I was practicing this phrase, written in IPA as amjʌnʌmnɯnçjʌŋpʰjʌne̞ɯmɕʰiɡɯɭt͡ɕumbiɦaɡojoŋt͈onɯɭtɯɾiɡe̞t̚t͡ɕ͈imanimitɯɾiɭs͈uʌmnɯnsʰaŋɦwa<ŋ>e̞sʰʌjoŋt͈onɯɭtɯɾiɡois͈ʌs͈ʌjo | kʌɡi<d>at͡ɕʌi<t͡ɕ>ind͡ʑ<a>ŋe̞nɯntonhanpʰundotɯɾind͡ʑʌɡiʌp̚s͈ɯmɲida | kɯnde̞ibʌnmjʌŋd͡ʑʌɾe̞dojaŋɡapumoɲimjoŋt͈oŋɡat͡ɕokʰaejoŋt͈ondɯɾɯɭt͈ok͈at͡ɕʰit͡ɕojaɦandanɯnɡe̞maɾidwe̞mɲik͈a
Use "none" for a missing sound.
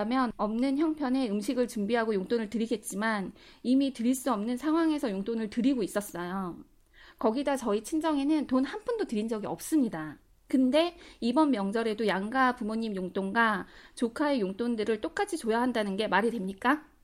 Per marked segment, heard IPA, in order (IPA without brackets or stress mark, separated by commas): ŋ, d, t͡ɕʰ, ʌ